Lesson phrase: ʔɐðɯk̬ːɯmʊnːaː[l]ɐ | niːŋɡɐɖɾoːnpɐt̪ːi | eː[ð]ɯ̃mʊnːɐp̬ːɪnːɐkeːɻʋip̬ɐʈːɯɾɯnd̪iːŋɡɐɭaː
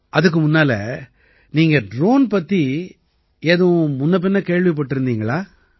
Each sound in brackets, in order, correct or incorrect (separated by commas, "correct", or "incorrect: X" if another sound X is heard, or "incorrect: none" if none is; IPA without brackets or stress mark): correct, correct